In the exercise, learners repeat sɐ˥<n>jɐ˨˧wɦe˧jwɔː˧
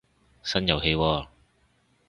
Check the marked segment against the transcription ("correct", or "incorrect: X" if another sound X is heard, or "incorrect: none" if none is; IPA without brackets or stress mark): correct